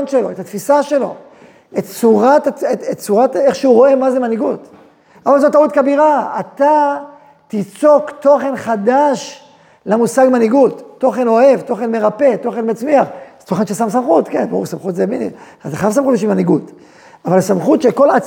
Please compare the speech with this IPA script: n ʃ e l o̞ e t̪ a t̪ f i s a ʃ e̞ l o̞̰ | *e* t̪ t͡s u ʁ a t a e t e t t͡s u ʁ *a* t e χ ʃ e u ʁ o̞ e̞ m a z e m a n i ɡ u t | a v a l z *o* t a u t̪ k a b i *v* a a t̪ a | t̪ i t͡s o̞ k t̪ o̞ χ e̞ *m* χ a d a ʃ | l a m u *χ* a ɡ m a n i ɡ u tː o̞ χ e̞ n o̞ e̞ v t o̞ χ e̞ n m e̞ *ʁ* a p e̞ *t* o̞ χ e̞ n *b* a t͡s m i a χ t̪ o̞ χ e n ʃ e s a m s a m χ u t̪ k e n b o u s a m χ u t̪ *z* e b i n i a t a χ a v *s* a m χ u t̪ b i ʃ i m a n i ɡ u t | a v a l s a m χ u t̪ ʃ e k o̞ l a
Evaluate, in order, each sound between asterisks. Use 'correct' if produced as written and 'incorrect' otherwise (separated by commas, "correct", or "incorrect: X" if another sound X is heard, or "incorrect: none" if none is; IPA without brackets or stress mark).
correct, correct, correct, incorrect: ʁ, incorrect: n, incorrect: s, correct, correct, incorrect: m, correct, correct